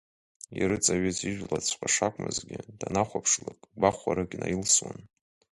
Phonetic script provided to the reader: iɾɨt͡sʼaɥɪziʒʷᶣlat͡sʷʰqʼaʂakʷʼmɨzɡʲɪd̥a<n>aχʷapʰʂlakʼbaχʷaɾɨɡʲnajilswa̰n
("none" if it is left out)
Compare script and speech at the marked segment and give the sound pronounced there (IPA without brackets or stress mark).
n